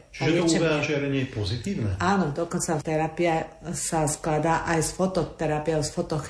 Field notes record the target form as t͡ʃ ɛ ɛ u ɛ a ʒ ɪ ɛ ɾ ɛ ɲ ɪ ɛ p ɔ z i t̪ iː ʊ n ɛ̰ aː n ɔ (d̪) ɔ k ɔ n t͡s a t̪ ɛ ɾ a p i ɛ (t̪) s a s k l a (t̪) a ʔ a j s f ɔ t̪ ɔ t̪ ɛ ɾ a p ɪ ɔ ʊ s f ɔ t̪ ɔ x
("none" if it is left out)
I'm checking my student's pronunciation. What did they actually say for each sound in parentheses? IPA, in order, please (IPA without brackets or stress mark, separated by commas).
d̪, none, d̪